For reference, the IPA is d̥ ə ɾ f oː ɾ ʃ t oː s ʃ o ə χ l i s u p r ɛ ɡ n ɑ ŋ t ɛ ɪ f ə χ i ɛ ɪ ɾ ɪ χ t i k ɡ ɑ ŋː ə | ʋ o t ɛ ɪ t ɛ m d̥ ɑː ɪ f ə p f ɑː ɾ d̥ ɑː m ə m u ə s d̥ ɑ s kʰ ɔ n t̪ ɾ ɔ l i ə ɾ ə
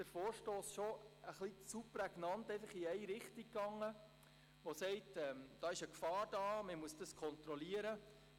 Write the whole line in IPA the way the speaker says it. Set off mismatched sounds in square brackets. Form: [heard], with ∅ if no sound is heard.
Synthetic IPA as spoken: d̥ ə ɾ f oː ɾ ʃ t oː s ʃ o ə χ l i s u p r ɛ ɡ n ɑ [n] t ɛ ɪ f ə χ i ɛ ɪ ɾ ɪ χ t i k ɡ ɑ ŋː ə | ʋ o [s] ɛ ɪ t ɛ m d̥ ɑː ɪ [ʃ] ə [k] f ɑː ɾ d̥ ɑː m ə m u ə s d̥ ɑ s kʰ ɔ n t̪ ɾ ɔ l i ə ɾ ə